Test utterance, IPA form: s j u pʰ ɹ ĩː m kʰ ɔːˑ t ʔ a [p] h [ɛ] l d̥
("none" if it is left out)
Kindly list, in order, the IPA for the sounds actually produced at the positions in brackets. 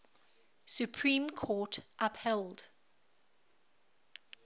p, ɛ

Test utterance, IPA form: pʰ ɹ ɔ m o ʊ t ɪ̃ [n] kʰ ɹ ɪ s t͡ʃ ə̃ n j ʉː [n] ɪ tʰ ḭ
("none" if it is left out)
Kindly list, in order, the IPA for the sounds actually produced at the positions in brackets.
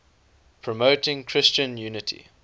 ŋ, n

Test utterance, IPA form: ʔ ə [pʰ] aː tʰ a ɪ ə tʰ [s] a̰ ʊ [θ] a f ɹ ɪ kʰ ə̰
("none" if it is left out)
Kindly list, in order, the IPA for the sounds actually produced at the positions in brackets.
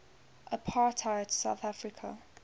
pʰ, s, θ

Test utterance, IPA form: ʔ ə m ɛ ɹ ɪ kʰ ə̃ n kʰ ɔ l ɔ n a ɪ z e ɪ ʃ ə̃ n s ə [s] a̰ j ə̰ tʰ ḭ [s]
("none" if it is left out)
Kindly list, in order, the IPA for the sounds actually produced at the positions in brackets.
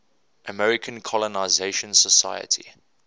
s, none

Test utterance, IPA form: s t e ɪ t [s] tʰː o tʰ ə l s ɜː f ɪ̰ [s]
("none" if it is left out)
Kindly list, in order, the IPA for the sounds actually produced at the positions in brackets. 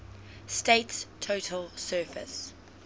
s, s

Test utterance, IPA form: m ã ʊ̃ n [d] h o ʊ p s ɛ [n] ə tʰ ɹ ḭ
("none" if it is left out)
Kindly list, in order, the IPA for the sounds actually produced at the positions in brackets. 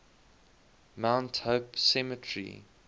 t, m

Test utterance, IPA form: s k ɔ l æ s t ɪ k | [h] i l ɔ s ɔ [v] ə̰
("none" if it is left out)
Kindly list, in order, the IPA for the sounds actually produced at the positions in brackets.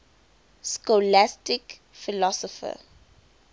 f, f

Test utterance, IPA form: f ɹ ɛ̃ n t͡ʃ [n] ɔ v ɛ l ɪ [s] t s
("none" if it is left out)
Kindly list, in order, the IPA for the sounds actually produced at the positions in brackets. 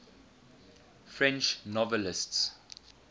n, s

